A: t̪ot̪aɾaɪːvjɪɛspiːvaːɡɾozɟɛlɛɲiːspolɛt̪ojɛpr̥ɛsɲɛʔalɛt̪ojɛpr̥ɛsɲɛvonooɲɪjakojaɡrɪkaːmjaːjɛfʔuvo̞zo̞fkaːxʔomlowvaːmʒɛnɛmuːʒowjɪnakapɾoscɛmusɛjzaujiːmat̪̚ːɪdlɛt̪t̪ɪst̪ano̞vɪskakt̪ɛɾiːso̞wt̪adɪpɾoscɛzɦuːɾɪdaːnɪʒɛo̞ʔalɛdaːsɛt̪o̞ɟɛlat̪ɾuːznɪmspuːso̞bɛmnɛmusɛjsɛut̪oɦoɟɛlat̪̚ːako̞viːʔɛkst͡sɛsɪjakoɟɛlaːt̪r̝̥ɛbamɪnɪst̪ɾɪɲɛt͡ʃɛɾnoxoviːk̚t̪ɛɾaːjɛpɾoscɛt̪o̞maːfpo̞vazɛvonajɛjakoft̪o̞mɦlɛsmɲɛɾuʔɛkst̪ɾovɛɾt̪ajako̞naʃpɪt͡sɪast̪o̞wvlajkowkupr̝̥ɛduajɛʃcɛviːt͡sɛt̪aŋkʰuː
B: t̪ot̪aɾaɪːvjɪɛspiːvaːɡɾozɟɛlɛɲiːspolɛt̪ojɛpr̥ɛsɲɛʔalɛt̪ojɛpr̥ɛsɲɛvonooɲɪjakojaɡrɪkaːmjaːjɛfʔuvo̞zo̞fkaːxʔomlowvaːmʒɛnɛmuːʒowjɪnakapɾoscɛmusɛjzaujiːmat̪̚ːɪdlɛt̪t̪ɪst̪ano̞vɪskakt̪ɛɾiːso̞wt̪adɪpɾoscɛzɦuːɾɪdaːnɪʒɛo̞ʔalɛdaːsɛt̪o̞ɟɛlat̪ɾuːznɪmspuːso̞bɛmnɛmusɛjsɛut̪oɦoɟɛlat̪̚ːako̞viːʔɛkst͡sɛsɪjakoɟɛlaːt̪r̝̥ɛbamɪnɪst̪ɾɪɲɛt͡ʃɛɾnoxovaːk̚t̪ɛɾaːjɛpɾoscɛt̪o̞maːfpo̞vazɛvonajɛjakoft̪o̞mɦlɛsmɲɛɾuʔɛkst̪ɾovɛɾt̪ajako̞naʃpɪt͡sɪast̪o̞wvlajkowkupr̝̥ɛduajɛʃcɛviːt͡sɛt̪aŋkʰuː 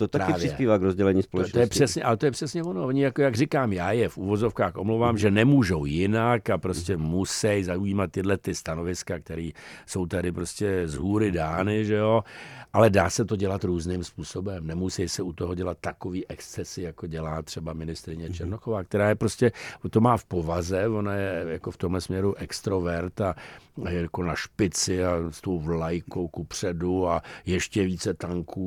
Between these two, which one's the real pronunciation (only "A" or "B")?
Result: B